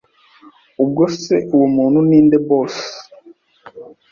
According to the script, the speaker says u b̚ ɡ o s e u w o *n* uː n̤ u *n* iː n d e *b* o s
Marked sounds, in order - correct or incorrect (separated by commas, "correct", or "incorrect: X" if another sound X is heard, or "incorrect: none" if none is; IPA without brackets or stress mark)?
incorrect: m, correct, correct